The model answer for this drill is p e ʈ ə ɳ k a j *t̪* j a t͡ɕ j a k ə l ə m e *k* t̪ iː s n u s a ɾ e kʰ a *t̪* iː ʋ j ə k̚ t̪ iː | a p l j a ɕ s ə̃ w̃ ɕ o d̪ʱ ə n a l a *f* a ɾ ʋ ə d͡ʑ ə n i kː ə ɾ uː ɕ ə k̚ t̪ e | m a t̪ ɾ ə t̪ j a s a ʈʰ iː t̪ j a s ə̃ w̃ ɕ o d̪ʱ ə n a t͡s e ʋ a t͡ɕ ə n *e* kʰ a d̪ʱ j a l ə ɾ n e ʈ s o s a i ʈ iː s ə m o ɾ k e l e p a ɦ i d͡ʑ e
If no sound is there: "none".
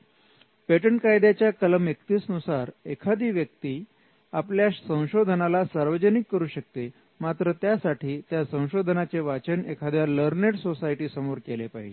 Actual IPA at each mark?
d̪, k, d̪, s, e

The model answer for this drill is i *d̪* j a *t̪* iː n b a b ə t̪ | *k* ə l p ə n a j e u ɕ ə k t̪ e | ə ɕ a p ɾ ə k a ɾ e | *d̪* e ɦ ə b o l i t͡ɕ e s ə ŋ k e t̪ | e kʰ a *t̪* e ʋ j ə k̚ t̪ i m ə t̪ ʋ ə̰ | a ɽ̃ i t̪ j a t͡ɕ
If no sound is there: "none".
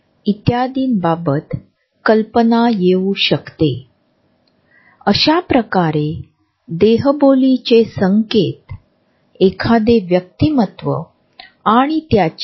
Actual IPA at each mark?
t̪, d̪, k, d̪, d̪

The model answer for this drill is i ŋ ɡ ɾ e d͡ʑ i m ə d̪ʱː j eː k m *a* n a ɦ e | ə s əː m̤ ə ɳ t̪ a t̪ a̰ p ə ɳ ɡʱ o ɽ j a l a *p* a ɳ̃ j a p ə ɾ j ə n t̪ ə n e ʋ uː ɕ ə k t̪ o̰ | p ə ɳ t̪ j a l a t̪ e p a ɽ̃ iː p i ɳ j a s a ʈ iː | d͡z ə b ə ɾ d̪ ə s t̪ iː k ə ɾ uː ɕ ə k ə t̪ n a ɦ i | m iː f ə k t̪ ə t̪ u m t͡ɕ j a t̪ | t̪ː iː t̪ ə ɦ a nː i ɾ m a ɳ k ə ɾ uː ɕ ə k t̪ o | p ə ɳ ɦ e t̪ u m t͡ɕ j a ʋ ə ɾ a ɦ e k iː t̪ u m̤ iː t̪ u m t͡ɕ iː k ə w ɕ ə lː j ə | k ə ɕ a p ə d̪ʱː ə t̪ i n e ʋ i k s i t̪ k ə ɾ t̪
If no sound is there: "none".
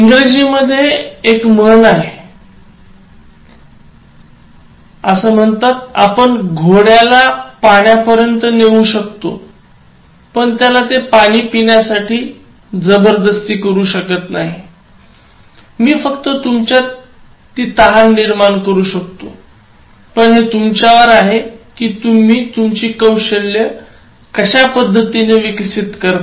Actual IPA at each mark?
ə, p

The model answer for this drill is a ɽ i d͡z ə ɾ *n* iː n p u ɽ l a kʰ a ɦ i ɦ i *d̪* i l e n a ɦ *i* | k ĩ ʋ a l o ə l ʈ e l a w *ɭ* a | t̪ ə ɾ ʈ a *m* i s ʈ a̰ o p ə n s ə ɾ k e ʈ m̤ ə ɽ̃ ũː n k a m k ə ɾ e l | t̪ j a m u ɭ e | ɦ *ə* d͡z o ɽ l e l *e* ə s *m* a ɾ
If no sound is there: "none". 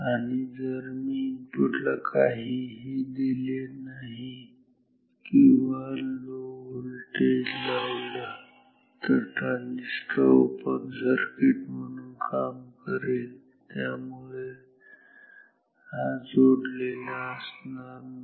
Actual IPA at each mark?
m, d̪, i, l, n, a, a, n

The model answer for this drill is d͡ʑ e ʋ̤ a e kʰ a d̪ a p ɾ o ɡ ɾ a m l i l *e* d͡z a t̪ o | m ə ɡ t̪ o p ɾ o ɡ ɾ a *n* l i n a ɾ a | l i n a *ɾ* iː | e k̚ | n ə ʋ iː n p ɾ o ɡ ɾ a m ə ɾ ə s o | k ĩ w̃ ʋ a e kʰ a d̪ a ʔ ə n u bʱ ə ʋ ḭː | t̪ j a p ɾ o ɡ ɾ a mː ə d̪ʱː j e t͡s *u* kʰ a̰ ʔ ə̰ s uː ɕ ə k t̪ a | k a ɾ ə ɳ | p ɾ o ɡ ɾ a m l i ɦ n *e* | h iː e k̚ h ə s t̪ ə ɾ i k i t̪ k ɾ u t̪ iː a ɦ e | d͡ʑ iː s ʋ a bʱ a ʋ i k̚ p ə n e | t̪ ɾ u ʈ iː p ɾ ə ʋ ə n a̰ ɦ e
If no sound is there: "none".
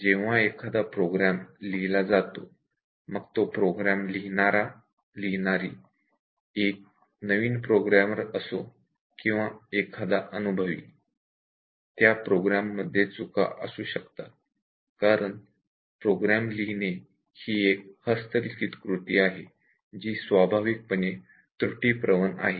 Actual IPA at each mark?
a, m, ɾ, u, e

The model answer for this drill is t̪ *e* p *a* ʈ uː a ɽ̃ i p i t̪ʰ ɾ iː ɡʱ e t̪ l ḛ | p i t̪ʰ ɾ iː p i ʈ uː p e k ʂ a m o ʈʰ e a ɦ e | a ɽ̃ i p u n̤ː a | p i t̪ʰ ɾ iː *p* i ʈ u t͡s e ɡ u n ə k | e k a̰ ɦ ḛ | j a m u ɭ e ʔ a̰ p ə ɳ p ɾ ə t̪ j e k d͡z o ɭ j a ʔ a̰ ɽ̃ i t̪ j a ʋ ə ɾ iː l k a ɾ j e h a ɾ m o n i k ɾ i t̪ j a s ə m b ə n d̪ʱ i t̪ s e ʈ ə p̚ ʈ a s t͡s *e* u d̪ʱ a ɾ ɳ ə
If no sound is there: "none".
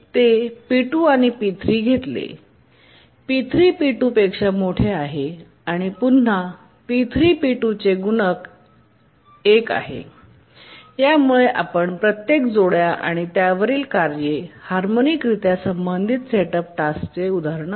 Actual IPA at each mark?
e, i, p, e

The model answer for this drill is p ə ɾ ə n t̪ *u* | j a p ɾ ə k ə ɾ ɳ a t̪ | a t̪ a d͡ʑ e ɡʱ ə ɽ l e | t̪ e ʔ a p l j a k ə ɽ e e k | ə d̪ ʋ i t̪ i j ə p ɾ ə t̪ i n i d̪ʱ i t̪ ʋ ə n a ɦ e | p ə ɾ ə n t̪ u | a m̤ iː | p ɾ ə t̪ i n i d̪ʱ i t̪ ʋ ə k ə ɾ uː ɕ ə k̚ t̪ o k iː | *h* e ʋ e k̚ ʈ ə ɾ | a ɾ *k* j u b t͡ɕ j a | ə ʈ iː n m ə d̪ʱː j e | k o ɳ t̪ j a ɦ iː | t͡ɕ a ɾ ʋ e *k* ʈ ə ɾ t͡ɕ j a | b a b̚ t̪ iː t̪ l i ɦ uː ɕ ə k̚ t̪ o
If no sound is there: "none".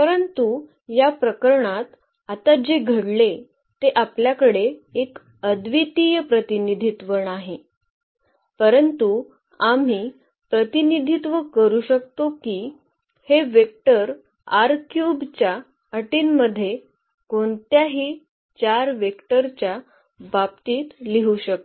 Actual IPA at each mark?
u, h, k, k

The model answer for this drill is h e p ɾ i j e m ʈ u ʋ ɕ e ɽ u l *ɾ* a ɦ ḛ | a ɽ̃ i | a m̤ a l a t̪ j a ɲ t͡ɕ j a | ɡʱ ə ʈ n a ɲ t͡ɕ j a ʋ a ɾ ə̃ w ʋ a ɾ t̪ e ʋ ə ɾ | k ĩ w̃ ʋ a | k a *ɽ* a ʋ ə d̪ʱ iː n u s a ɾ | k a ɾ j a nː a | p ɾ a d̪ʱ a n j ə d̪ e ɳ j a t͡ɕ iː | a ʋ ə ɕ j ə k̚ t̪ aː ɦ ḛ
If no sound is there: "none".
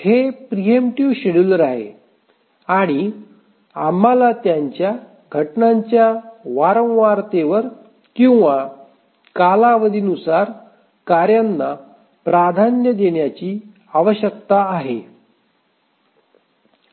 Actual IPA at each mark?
ɾ, l

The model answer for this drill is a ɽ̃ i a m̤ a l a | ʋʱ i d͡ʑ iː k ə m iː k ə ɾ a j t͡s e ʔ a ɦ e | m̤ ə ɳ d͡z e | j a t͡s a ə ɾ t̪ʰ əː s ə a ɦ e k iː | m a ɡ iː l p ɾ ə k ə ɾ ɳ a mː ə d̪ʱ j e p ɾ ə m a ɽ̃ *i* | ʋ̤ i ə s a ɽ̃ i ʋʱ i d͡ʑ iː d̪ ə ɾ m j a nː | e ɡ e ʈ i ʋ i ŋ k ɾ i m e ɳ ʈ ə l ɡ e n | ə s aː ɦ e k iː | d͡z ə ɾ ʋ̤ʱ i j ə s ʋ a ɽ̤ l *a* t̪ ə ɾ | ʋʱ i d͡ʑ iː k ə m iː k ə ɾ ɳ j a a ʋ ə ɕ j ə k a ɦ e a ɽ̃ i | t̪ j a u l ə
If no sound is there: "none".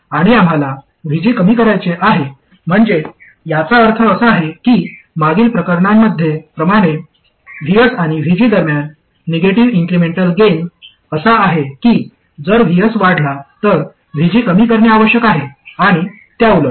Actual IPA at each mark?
e, a

